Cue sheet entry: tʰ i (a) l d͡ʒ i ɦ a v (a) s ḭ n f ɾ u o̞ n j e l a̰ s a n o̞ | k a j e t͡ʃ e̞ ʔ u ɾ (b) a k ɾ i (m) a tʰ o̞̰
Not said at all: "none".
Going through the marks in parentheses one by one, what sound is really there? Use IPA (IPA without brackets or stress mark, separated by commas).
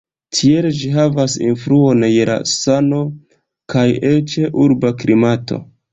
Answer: e, a, b, m